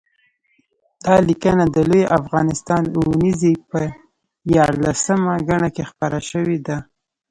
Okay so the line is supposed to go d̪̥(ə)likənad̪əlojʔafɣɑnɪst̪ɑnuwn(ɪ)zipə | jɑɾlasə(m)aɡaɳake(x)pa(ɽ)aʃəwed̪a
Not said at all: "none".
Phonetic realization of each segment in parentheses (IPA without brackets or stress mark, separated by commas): ɑ, i, m, x, ɾ